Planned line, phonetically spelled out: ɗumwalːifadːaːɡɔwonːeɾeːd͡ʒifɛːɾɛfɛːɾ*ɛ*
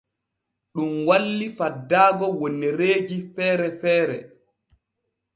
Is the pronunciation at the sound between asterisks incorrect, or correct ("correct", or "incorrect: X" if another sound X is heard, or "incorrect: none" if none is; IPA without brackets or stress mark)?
correct